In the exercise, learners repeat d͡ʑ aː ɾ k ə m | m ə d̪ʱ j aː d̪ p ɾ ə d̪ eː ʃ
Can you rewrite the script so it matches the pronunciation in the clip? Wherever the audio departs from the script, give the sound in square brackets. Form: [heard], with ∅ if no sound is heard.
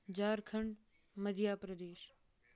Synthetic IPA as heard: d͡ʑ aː ɾ [kʰ] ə [ɳ] | m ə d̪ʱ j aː [∅] p ɾ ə d̪ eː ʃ

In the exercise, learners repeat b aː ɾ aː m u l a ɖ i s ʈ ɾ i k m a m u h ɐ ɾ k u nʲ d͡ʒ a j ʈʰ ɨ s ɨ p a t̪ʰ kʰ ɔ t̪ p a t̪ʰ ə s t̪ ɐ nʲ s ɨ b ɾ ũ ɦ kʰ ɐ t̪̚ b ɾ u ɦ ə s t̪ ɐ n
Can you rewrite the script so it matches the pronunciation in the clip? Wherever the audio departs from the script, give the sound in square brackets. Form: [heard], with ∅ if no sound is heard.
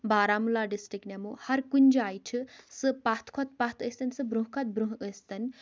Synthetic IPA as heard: b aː ɾ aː m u l a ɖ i s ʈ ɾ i k [n] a m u h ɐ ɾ k u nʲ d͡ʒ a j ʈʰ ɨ s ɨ p a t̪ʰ kʰ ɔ t̪ p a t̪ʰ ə s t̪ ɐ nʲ s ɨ b ɾ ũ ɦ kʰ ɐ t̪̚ b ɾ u ɦ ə s t̪ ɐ n

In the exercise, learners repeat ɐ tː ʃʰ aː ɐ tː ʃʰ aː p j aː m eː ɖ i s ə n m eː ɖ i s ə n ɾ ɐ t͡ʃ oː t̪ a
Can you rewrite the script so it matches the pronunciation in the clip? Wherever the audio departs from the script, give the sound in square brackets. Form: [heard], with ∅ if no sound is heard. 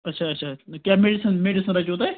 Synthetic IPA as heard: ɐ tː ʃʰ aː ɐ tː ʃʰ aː [k] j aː m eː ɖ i s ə n m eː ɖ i s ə n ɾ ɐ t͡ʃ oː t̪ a

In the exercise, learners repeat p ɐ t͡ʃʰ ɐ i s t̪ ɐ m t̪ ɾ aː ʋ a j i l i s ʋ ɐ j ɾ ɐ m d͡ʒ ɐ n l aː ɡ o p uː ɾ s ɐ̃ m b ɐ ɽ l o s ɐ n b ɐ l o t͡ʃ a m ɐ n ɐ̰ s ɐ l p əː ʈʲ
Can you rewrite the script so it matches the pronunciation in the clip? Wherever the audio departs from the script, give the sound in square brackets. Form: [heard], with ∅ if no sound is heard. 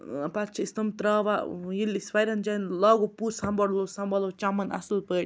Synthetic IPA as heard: p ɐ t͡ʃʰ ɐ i s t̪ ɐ m t̪ ɾ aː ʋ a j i l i s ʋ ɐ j ɾ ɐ [n] d͡ʒ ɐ n l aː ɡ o p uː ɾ s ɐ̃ m b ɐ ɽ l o s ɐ [m] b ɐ l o t͡ʃ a m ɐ n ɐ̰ s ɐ l p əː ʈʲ

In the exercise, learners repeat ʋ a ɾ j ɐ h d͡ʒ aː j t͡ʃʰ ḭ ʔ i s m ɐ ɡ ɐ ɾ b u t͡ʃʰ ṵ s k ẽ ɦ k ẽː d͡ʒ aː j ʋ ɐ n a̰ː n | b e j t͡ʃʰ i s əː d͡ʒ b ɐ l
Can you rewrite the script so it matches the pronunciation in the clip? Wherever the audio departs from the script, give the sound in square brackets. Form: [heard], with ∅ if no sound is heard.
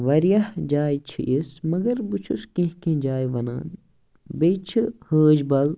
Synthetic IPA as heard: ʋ [ɐ] ɾ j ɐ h d͡ʒ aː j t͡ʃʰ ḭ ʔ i s m ɐ ɡ ɐ ɾ b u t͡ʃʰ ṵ s k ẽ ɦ k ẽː d͡ʒ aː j ʋ ɐ n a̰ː n | b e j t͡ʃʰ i [h] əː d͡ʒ b ɐ l

